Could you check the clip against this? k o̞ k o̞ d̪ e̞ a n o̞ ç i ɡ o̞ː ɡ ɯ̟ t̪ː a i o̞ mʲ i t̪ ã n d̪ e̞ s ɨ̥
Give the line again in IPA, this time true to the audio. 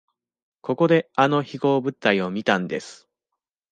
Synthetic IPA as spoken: k o̞ k o̞ d̪ e̞ a n o̞ ç i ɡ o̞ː b ɯ̟ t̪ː a i o̞ mʲ i t̪ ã n d̪ e̞ s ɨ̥